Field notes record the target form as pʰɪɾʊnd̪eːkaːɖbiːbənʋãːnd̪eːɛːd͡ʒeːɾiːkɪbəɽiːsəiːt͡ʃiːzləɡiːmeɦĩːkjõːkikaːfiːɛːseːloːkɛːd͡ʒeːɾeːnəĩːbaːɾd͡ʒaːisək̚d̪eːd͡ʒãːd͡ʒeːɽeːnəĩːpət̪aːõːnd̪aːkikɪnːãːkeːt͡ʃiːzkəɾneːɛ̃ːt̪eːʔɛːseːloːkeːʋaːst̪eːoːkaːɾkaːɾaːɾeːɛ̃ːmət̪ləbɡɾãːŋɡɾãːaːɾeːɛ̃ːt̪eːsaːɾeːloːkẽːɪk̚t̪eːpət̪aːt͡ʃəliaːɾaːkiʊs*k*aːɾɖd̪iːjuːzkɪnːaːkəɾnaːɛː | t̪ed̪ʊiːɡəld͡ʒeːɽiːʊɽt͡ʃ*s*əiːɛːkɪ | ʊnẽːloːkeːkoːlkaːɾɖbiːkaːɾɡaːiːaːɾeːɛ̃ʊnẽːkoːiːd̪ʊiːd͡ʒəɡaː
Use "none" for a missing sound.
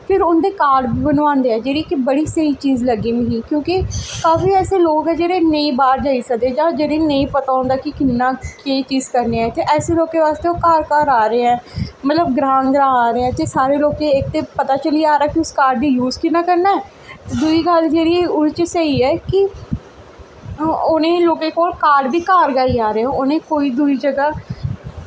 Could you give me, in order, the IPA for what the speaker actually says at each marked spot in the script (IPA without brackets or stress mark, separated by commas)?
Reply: k, s